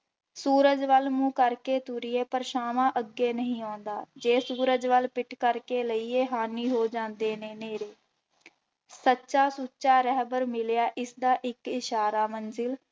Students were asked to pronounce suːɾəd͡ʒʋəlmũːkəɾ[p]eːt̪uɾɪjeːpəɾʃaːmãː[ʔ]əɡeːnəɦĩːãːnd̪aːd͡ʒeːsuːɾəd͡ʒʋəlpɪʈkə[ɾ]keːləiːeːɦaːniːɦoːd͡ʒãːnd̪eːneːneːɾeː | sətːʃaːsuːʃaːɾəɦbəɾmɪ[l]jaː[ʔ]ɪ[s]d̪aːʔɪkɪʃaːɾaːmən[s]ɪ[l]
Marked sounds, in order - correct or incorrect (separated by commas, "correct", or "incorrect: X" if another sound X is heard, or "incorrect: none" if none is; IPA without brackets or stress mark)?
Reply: incorrect: k, correct, correct, correct, correct, correct, incorrect: z, correct